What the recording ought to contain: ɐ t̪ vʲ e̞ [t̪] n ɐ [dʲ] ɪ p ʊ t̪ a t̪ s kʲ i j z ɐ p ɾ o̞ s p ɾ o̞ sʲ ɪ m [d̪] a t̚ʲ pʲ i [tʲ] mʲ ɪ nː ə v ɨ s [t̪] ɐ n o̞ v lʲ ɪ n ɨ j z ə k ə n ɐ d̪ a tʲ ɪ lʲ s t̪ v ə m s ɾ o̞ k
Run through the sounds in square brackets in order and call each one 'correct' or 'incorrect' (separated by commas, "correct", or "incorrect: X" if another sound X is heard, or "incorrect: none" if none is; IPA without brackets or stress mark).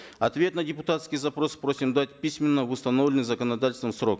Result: correct, correct, correct, incorrect: sʲ, correct